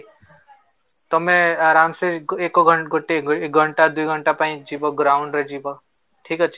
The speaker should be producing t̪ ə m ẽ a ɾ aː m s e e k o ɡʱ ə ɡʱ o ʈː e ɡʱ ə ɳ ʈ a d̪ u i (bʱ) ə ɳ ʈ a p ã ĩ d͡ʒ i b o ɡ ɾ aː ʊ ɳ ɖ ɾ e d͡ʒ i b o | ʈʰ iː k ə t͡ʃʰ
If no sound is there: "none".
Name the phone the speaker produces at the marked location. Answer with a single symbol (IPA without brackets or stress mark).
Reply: ɡʱ